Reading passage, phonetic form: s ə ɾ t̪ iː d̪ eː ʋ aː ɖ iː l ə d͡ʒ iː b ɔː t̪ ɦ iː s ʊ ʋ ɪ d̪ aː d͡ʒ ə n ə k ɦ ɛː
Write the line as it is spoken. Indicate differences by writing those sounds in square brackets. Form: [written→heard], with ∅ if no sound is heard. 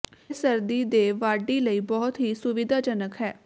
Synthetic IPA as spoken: s ə ɾ [t̪→d̪] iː d̪ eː ʋ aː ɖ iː l ə [d͡ʒ→∅] iː b ɔː t̪ ɦ iː s ʊ ʋ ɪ d̪ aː d͡ʒ ə n ə k ɦ ɛː